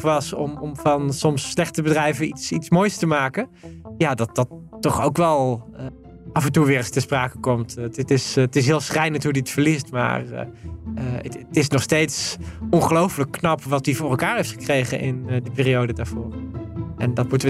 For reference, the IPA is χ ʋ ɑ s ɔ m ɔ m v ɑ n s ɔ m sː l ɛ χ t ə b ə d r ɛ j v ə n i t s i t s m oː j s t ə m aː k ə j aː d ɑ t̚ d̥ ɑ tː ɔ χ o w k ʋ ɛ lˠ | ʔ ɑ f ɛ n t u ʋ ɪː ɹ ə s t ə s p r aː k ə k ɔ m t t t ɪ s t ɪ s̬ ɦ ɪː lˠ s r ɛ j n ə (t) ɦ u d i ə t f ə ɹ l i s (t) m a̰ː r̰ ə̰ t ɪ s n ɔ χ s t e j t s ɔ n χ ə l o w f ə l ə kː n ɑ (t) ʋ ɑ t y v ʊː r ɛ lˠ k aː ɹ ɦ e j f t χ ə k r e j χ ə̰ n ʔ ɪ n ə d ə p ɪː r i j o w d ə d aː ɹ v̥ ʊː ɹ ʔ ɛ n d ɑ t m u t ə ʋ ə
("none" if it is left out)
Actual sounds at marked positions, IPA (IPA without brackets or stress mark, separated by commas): t, t, p